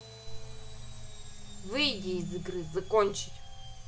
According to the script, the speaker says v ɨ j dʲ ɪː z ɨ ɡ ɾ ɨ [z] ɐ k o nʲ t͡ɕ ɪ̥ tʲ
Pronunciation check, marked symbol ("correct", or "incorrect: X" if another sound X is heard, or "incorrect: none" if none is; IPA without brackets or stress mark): correct